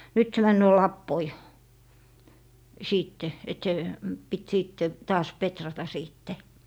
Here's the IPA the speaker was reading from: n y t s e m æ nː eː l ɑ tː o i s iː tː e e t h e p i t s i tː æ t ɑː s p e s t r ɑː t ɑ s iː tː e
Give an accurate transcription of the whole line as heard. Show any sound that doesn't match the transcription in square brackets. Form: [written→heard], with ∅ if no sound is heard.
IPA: n y t s e m æ nː [eː→øː] l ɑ [tː→pː] o i s iː tː e e t [h→s] e p i t s [i→iː] tː [æ→e] t ɑː s p e [s→∅] t r [ɑː→ɑ] t ɑ s iː tː e